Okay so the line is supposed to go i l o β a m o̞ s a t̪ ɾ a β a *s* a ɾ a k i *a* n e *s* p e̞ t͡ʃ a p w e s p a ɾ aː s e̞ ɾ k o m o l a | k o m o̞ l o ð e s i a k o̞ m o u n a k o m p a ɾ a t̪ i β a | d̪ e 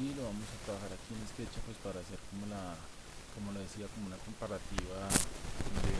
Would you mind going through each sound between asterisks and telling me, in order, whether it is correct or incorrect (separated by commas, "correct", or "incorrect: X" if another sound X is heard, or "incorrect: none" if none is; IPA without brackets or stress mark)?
incorrect: x, incorrect: e, correct